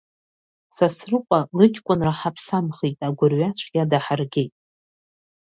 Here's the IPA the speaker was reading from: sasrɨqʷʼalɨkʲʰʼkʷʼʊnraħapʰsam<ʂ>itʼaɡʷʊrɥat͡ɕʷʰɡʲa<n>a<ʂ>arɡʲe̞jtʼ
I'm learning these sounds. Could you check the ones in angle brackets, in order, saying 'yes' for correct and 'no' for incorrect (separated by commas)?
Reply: no, no, no